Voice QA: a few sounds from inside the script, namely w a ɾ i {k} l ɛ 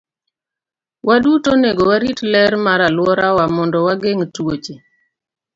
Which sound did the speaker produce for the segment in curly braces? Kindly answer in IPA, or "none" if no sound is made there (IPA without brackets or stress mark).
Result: t